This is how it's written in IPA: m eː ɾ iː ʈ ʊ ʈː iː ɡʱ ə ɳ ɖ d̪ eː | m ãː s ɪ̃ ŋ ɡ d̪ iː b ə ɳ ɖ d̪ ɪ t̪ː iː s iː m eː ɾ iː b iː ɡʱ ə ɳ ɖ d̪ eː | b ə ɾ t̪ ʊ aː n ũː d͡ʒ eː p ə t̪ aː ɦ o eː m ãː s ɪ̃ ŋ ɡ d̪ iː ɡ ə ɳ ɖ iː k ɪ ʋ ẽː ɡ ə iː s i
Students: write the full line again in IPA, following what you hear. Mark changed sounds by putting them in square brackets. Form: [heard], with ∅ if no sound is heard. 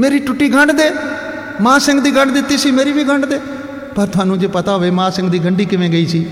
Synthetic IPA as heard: m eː ɾ iː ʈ ʊ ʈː iː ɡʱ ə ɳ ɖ d̪ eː | m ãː s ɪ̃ ŋ ɡ d̪ iː [ɡ] ə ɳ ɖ d̪ ɪ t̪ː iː s iː m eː ɾ iː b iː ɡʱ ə ɳ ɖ d̪ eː | [p] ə ɾ t̪ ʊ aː n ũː d͡ʒ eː p ə t̪ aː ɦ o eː m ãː s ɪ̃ ŋ ɡ d̪ iː ɡ ə ɳ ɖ iː k ɪ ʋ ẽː ɡ ə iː s [iː]